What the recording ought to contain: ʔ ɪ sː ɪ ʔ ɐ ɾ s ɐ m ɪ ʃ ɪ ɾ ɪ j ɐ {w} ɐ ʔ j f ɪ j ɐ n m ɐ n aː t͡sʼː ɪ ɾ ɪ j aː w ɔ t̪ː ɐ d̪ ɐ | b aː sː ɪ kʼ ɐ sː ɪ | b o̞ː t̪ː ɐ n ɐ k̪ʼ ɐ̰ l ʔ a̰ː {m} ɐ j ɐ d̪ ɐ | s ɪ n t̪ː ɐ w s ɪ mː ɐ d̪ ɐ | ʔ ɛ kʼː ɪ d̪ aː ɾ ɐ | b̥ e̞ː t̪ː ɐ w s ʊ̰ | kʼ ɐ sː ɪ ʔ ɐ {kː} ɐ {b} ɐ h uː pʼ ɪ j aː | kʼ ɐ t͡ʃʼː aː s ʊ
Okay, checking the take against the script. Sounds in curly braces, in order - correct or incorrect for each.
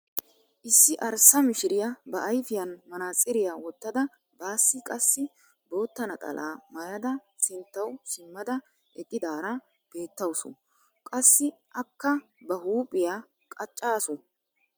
incorrect: b, correct, correct, correct

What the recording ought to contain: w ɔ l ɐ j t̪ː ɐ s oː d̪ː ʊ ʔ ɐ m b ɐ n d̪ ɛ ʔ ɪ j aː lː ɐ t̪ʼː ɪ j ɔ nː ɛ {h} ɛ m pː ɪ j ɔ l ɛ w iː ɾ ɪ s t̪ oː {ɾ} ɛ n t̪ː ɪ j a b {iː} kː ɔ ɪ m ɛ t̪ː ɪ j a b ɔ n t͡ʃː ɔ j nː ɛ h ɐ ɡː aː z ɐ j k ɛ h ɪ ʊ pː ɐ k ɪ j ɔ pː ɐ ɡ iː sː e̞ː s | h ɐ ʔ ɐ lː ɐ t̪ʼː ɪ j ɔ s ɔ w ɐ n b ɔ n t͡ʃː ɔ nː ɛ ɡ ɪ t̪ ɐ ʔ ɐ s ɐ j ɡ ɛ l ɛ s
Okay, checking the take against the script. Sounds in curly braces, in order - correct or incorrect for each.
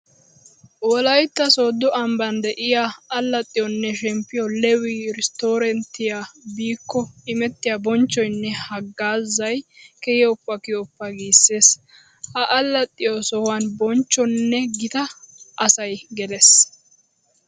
incorrect: ʃ, correct, correct

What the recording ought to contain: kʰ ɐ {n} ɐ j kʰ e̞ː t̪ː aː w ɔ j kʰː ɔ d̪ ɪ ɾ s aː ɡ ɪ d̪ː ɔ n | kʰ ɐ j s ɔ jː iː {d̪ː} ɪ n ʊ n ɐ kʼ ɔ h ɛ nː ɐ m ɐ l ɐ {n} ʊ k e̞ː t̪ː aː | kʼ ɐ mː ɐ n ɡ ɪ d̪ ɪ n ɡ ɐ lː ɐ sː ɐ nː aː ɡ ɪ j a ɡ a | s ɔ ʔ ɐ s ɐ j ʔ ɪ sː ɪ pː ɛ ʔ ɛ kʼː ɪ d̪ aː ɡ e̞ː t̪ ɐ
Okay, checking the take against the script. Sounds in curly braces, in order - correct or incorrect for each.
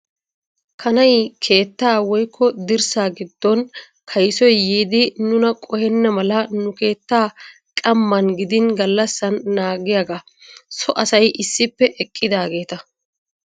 correct, incorrect: d̪, correct

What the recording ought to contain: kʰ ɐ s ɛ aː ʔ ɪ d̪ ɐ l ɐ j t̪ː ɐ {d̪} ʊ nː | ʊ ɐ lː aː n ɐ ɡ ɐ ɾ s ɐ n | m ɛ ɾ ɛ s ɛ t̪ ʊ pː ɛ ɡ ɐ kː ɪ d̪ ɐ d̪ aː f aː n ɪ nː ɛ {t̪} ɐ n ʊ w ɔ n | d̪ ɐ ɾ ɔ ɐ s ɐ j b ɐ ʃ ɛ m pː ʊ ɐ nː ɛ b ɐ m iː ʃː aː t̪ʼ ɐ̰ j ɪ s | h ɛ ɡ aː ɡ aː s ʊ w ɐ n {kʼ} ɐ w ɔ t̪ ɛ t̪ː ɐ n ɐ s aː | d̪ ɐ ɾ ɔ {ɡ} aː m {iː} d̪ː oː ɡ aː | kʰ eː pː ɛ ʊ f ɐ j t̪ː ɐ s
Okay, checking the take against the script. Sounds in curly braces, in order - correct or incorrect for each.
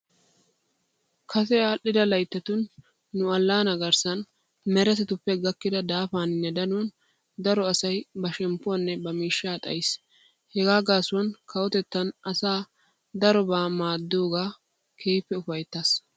incorrect: t̪, incorrect: d̪, incorrect: k, incorrect: b, incorrect: aː

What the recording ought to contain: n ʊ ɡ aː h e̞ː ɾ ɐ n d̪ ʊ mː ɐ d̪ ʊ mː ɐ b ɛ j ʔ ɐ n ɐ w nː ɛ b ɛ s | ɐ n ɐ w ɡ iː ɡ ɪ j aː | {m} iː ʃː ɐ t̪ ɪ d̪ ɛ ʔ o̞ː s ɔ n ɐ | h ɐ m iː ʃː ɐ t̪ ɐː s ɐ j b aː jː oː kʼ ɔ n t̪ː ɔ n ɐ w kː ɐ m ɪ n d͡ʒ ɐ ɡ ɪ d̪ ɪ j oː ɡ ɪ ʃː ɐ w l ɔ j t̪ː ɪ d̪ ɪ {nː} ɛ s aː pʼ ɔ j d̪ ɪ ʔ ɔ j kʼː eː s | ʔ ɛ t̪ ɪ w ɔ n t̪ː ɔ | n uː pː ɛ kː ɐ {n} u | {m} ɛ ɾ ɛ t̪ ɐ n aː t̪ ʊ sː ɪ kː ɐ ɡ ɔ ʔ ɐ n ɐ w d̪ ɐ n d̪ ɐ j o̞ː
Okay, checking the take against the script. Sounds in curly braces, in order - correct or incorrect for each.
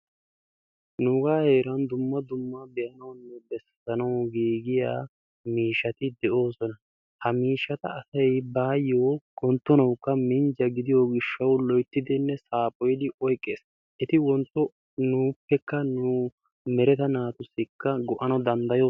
correct, correct, correct, correct

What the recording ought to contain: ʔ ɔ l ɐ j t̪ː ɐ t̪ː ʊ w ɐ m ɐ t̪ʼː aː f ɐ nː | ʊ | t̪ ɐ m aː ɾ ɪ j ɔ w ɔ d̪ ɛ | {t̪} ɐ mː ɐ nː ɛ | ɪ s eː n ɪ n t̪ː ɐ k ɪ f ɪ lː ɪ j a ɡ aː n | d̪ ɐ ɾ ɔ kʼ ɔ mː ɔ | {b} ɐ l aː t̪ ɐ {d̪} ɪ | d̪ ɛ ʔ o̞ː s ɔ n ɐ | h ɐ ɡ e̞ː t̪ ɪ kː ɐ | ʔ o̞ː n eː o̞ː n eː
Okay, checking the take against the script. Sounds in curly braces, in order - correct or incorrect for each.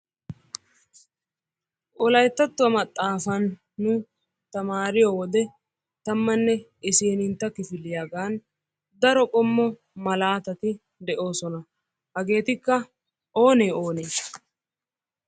correct, incorrect: m, incorrect: t̪

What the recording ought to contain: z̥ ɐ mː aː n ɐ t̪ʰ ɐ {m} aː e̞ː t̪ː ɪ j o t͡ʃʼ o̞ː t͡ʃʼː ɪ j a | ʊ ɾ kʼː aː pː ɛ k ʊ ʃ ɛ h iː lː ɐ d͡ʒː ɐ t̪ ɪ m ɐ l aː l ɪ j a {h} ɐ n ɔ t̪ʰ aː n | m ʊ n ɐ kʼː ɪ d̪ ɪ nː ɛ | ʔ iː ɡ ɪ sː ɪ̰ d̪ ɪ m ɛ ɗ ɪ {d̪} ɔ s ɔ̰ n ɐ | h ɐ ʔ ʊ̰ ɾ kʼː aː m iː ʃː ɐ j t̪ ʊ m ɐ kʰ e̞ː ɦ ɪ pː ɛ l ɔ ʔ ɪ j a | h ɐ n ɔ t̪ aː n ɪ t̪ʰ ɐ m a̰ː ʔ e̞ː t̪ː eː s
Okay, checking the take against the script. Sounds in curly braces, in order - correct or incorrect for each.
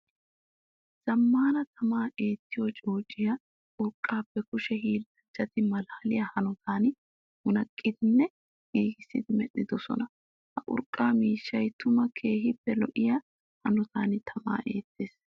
correct, correct, correct

